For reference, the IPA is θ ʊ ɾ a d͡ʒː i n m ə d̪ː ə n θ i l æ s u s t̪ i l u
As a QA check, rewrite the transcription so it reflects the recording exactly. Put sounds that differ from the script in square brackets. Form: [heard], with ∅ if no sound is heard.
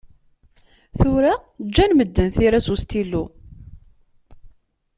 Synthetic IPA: θ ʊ ɾ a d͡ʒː [æ] n m ə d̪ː ə n θ i [ɾ] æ s u s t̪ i l u

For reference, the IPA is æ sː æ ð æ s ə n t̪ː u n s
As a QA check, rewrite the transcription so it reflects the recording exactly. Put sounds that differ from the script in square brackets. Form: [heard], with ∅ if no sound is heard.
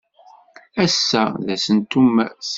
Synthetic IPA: æ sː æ ð æ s ə n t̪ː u [m] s

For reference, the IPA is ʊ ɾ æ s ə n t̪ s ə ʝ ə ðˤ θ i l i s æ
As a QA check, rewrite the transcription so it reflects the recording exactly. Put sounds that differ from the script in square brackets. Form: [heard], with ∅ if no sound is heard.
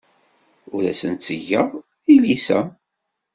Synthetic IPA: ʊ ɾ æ s ə n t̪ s ə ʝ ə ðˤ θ i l i s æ

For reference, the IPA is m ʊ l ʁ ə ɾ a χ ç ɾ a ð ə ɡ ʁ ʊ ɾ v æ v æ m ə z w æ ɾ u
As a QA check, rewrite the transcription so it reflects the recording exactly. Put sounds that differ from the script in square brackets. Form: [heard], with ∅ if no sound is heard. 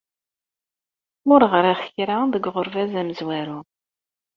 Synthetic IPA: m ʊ [ɾ] ʁ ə ɾ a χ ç ɾ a ð ə ɡ ʁ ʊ ɾ v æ [z] æ m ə z w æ ɾ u

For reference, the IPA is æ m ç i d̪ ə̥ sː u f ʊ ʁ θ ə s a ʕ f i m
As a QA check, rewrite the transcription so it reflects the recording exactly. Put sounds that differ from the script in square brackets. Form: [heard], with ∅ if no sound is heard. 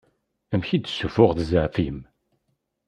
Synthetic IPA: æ m ç i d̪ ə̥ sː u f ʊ ʁ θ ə [z] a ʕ f i m

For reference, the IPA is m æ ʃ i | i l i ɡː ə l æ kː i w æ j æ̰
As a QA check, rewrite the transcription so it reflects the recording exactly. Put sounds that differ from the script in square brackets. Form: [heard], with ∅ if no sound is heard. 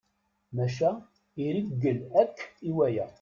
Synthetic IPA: m æ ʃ [æ] | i [ɾ] i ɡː ə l æ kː i w æ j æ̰

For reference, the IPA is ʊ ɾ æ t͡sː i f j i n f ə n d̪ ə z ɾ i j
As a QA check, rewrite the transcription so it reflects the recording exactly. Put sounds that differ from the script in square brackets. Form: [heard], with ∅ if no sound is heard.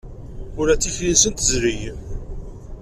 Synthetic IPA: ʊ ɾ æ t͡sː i f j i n [s] ə n [t̪] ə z ɾ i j

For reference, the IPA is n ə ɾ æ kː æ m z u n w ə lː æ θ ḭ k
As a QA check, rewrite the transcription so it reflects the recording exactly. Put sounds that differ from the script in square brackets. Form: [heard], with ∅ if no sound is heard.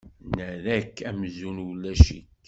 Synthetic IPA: n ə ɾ æ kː æ m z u n w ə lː æ [ʃ] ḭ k

